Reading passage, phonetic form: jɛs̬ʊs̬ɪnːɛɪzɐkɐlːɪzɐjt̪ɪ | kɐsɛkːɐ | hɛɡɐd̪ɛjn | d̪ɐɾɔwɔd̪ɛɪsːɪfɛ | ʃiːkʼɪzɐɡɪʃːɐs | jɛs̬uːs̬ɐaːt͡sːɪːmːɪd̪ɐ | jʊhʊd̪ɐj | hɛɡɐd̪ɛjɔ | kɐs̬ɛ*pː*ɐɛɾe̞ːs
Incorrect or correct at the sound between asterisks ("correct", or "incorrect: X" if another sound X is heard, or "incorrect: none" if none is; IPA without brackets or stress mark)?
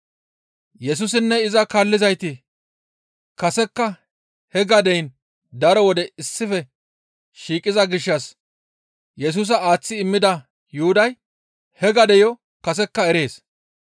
incorrect: kː